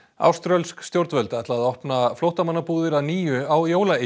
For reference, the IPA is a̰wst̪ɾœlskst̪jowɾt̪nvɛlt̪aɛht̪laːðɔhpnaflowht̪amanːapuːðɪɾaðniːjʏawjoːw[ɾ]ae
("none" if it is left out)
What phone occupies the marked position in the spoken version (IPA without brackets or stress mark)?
l